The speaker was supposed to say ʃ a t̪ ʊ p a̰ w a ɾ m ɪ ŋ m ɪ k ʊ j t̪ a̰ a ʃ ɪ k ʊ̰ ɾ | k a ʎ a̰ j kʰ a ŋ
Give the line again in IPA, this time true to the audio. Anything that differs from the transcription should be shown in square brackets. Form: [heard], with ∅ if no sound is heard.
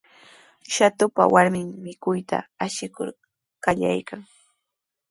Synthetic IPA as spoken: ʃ a t̪ ʊ p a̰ w a ɾ m ɪ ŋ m ɪ k ʊ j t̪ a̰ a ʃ ɪ k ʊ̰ ɾ | k a ʎ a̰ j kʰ a ŋ